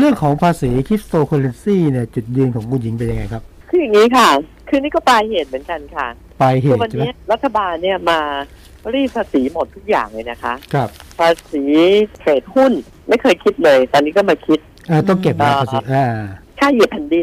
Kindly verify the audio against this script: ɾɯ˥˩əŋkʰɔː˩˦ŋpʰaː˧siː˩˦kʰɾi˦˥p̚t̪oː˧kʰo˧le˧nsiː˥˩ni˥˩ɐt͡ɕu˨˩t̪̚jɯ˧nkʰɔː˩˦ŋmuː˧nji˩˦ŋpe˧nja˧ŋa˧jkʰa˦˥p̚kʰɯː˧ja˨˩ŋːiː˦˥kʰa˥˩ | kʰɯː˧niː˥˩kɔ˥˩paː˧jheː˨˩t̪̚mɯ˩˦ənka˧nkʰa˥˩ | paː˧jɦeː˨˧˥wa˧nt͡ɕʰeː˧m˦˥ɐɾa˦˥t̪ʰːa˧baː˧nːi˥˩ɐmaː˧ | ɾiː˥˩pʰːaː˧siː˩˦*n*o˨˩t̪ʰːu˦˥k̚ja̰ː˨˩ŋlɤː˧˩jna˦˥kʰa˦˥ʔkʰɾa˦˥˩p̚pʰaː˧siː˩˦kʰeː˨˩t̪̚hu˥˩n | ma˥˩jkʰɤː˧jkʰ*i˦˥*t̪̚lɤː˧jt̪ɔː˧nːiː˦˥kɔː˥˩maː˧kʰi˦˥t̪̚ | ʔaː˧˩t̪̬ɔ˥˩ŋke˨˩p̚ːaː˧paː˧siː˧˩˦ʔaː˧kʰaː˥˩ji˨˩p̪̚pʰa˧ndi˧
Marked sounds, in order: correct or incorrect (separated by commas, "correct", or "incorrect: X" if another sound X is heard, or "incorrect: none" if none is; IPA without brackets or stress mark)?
incorrect: m, correct